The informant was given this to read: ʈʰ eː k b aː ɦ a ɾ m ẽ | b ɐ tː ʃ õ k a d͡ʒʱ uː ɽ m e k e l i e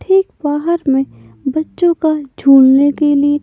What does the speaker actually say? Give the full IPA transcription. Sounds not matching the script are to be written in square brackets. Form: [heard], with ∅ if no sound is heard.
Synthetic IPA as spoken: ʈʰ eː k b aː ɦ [ə] ɾ m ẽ | b ɐ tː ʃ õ k a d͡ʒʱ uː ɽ [n] e k e l i e